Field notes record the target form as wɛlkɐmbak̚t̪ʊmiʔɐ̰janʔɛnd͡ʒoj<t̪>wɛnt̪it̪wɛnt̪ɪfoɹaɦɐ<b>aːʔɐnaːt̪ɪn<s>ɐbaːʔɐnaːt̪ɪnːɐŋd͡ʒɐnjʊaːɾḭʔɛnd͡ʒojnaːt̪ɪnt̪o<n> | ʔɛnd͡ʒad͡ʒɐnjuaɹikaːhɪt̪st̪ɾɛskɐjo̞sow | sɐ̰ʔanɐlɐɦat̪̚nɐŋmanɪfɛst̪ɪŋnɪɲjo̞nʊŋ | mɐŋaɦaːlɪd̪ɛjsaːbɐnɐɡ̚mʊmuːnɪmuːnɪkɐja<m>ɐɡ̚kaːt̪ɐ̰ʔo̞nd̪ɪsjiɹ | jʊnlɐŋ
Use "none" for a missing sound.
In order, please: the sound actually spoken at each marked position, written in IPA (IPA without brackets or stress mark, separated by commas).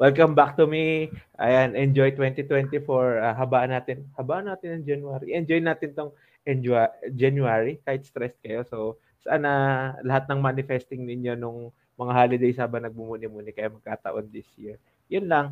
t̪, b, h, ŋ, m